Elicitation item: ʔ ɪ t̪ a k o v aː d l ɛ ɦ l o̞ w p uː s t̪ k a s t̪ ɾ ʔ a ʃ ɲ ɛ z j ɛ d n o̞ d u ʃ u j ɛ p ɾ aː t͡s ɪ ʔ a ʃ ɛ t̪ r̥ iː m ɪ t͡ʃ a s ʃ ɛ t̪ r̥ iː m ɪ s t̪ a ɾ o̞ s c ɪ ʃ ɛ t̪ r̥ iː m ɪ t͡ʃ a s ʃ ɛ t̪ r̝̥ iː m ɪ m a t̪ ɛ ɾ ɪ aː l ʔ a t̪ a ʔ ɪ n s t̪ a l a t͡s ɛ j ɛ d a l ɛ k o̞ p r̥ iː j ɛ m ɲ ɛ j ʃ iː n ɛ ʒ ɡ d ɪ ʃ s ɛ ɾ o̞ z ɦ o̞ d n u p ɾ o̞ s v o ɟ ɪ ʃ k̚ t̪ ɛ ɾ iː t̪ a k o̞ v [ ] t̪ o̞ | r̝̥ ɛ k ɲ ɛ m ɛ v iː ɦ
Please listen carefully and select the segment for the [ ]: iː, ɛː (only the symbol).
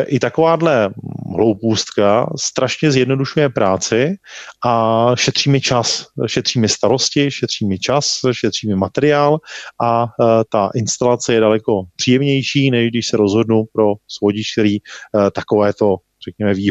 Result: ɛː